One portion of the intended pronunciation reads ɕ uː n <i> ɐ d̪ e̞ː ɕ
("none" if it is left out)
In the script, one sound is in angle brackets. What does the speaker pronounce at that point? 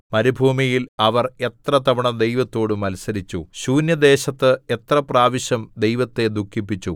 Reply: j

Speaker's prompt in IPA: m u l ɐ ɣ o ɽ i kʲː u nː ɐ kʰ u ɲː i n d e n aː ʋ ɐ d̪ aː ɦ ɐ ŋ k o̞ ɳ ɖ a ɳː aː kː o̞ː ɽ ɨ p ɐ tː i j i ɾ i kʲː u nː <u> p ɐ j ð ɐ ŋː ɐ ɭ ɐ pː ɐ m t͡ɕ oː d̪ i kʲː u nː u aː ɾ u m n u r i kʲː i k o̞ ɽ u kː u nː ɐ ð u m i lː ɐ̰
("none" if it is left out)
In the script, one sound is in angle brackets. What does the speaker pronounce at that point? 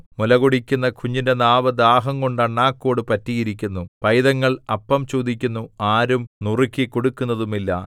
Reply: u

